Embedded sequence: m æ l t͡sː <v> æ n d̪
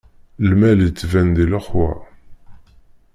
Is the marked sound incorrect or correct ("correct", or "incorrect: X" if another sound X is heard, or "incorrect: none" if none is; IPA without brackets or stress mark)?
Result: correct